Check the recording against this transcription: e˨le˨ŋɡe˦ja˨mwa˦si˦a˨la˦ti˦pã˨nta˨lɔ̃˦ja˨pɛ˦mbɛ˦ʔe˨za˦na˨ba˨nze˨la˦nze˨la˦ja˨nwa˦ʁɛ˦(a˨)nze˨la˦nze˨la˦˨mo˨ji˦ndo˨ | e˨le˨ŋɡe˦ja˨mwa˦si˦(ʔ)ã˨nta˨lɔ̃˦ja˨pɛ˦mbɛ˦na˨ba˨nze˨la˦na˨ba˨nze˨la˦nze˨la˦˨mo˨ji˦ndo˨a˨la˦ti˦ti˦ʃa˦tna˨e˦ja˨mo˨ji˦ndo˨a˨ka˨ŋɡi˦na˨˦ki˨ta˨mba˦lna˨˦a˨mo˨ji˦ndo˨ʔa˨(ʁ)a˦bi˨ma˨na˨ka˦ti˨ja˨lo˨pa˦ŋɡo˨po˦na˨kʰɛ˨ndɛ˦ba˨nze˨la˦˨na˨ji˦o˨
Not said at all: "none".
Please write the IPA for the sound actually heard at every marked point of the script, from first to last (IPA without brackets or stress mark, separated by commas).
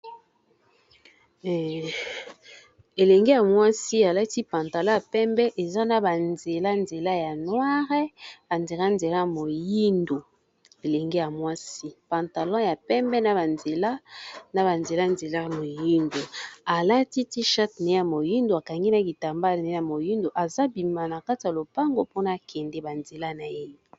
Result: a˨, p, z